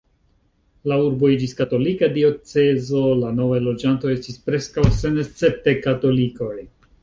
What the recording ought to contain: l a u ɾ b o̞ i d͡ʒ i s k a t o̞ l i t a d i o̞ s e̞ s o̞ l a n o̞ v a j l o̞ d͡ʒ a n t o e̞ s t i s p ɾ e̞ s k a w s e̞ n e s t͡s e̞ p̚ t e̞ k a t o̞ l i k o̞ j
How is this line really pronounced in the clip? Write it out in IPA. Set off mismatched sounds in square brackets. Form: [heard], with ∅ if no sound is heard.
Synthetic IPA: l a u ɾ b o̞ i d͡ʒ i s k a t o̞ l i [k] a d i o̞ [t͡s] e̞ [z] o̞ l a n o̞ v a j l o̞ d͡ʒ a n t o e̞ s t i s p ɾ e̞ s k a w s e̞ n e s t͡s e̞ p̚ t e̞ k a t o̞ l i k o̞ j